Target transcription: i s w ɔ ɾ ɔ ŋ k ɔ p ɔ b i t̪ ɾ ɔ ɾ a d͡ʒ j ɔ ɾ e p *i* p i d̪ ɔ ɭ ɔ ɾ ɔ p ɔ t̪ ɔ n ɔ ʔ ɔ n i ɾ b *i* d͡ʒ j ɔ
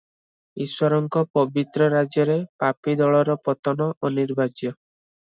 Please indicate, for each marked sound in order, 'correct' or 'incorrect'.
incorrect: a, incorrect: a

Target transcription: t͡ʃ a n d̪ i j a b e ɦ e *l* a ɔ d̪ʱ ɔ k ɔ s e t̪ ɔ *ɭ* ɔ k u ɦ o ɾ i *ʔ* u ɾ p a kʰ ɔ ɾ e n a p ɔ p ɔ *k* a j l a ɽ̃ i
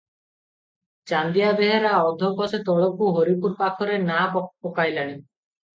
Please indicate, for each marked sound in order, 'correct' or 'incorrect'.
incorrect: ɾ, correct, incorrect: p, correct

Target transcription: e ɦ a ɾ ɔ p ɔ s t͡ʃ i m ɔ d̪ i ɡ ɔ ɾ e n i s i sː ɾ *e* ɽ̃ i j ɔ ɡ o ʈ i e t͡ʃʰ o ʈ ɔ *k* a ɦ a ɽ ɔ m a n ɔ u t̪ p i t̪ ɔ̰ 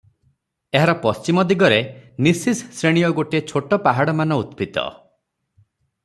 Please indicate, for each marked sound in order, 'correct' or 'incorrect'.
correct, incorrect: p

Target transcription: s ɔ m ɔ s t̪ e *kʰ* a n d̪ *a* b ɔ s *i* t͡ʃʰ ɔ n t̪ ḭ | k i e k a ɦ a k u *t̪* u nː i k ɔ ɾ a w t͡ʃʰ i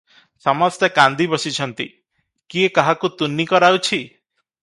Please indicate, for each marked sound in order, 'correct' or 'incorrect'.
incorrect: k, incorrect: i, correct, correct

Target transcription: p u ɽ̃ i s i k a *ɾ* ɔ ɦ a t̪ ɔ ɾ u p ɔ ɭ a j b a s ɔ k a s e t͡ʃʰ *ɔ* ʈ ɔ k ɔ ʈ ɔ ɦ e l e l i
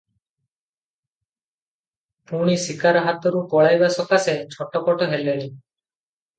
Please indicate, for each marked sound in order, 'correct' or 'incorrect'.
correct, correct

